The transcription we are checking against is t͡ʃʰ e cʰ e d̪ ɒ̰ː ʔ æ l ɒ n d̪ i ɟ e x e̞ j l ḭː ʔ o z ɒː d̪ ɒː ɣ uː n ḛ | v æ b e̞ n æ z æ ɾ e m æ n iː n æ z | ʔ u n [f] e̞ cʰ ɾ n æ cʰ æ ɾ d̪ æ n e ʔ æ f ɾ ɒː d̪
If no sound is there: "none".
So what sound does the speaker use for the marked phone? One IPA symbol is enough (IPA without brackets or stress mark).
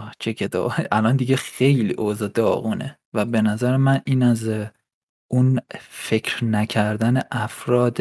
f